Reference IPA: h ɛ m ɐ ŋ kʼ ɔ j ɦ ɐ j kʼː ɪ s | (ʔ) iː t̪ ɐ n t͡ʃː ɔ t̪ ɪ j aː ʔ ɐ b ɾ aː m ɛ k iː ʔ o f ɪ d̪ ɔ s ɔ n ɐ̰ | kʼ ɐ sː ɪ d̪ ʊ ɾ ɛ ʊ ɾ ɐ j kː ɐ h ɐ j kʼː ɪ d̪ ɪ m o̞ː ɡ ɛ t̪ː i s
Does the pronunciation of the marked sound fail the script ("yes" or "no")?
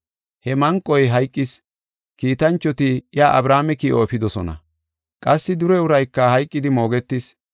yes